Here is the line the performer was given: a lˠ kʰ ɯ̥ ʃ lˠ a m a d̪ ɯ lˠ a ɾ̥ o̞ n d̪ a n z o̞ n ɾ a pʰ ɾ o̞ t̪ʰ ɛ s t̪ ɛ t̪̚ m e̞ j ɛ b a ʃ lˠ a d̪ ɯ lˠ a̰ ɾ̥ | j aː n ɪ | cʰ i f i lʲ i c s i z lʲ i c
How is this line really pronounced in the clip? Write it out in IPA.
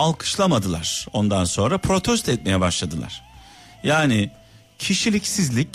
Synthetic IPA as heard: a lˠ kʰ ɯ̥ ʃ lˠ a m a d̪ ɯ lˠ a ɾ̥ o̞ n d̪ a n s o̞ n ɾ a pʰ ɾ o̞ t̪ʰ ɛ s t̪ ɛ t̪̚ m e̞ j ɛ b a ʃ lˠ a d̪ ɯ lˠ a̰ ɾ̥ | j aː n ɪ | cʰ i ʃ i lʲ i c s i z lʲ i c